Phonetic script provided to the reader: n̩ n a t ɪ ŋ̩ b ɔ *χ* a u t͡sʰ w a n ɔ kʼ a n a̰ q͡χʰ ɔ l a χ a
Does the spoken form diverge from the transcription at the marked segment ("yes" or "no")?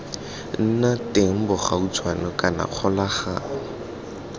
no